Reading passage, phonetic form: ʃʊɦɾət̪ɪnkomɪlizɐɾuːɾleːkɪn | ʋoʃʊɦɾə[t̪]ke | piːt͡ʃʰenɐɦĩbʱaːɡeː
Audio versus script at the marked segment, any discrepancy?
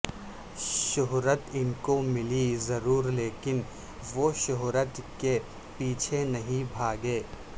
no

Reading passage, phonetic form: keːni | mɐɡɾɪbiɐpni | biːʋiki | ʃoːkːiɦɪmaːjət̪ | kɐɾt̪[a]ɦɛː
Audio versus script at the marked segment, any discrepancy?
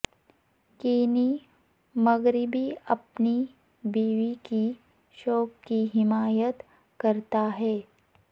no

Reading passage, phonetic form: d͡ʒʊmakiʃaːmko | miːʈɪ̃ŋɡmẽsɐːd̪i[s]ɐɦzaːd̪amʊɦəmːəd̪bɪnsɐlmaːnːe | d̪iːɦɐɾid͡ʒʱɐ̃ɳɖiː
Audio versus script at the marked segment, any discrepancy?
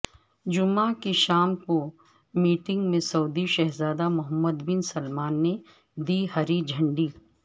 yes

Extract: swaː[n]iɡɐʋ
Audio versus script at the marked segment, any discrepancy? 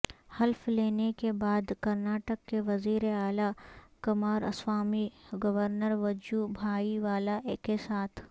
yes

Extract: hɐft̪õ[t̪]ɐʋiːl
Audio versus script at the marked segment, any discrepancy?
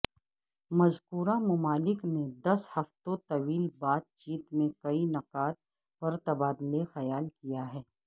no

